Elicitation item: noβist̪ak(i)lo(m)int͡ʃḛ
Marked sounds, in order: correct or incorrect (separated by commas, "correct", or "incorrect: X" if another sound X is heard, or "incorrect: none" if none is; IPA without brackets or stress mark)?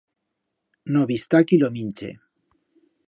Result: correct, correct